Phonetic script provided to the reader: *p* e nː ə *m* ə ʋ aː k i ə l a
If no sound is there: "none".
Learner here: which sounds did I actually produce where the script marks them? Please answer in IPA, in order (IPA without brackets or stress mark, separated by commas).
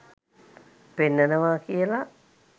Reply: p, n